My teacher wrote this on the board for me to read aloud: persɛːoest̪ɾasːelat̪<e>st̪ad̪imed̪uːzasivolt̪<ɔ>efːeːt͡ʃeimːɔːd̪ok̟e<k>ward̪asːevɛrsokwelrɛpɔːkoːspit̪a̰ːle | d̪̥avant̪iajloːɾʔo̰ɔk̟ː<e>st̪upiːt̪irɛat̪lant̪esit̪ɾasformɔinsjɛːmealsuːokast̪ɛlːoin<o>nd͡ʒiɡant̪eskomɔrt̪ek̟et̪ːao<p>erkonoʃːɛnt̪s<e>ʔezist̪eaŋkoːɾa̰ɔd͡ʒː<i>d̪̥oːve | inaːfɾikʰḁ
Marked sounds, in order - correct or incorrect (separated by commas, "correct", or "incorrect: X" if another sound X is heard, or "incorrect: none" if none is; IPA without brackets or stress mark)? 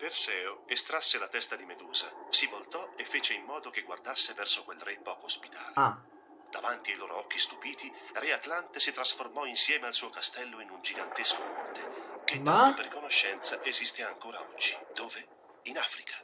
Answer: incorrect: ɛ, correct, incorrect: ɡ, incorrect: i, incorrect: u, correct, incorrect: a, correct